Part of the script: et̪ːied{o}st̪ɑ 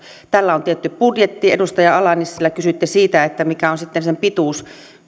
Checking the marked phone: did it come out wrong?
yes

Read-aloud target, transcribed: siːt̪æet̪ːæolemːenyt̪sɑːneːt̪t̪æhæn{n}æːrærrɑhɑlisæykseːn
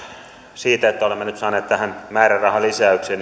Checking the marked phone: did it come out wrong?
yes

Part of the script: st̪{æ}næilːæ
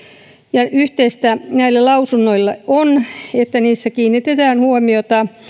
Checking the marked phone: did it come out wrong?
no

